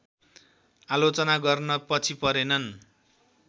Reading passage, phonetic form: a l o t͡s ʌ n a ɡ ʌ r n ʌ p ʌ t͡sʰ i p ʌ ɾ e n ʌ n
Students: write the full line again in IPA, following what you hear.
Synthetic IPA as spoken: a l o t͡s ʌ n a ɡ ʌ r n ʌ p ʌ t͡sʰ i p ʌ ɾ e n ʌ n